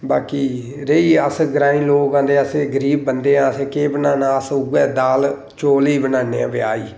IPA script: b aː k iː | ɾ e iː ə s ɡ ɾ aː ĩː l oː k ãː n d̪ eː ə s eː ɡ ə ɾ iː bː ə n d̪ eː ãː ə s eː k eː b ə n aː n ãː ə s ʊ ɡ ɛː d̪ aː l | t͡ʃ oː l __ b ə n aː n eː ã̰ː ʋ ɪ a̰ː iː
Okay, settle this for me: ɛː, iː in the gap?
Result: iː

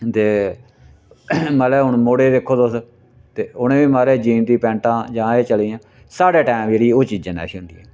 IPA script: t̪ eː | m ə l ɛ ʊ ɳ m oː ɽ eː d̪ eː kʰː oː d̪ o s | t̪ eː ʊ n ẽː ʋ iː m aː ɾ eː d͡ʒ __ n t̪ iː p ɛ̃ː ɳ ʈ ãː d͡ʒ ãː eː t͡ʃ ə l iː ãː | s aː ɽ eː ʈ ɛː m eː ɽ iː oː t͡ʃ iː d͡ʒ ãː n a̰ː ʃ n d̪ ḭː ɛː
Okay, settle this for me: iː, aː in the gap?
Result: iː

